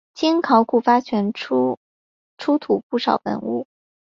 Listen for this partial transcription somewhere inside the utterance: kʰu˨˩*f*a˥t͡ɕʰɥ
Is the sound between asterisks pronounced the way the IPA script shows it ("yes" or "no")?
yes